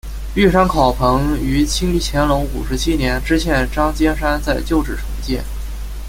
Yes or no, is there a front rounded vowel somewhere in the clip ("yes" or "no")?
yes